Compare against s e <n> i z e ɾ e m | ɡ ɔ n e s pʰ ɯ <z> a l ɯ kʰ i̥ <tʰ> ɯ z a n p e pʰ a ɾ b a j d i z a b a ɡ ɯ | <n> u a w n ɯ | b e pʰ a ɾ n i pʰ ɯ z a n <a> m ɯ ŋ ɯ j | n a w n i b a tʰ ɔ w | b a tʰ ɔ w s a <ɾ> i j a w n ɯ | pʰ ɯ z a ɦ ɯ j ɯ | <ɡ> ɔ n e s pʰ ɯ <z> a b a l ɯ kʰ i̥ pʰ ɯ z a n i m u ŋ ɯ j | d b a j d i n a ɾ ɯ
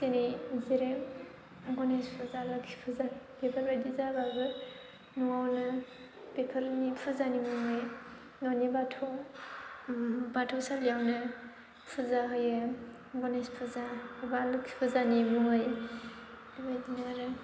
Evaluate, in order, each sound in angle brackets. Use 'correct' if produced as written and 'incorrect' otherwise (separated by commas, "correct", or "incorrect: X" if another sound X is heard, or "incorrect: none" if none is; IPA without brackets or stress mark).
correct, correct, incorrect: pʰ, correct, incorrect: i, incorrect: l, correct, correct